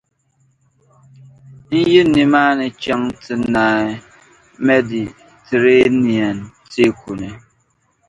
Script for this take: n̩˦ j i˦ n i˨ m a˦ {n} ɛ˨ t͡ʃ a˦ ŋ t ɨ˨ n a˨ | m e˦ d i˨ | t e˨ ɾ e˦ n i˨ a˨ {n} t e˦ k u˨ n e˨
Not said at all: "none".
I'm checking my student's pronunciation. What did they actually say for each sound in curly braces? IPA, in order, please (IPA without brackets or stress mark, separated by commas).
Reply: n, n